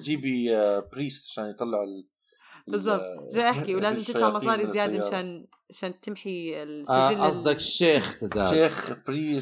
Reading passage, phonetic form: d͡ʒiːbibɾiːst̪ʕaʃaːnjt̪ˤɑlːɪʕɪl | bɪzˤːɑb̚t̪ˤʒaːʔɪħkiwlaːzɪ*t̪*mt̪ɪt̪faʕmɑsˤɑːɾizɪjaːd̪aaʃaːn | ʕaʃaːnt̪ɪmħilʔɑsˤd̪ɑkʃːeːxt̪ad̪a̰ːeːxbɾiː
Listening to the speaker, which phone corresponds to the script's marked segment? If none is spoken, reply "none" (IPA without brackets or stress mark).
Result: none